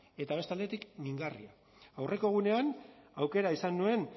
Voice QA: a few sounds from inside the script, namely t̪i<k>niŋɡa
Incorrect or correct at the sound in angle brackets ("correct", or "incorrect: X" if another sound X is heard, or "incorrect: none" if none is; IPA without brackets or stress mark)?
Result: correct